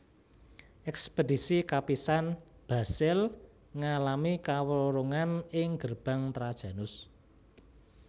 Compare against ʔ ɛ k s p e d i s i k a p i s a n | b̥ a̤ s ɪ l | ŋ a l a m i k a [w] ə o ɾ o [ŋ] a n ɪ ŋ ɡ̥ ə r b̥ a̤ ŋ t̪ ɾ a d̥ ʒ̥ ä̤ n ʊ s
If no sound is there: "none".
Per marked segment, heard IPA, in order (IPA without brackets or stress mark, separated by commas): w, ŋ